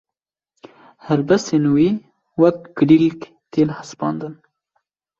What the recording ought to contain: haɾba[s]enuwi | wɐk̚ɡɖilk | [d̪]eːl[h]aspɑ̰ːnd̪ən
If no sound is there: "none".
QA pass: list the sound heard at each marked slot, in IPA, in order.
s, t̪, h

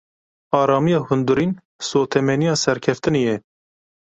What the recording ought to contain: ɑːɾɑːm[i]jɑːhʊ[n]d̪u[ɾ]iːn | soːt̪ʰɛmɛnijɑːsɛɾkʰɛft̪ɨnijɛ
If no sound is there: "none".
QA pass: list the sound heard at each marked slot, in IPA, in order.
i, n, ɾ

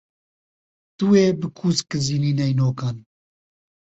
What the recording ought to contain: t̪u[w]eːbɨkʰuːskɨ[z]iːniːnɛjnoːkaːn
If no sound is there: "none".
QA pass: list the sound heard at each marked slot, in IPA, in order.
w, z

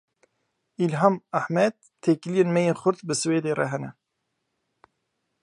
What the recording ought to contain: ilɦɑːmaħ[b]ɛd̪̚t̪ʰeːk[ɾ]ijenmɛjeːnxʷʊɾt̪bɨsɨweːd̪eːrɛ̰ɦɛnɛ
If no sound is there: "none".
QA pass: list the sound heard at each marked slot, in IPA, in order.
m, l

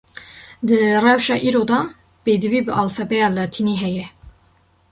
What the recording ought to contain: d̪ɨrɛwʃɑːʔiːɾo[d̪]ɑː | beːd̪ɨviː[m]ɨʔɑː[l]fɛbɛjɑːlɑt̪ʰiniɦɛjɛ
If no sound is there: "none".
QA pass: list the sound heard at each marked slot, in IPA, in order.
d̪, b, l

